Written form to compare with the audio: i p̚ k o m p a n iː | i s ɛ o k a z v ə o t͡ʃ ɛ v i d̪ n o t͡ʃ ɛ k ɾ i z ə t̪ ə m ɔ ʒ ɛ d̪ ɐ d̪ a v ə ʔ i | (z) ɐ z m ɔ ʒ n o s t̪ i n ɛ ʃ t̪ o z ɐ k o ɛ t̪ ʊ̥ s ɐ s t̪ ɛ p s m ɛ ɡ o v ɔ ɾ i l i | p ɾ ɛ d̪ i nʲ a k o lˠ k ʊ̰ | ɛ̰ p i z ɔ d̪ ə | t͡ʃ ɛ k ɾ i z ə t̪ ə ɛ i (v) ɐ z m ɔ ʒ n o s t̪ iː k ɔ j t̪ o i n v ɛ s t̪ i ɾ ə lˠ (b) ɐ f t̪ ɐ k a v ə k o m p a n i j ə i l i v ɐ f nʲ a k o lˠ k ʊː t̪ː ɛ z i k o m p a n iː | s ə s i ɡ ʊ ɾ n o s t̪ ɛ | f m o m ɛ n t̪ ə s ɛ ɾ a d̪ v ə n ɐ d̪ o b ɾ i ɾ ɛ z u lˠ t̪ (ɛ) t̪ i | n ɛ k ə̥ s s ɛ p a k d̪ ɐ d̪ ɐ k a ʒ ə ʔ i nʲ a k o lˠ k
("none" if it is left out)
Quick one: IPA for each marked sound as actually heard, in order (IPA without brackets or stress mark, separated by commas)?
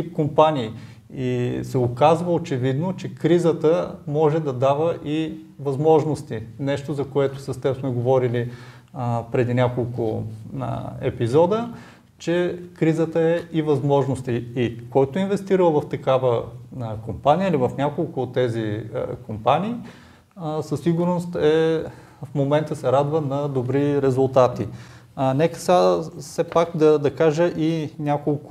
v, v, v, a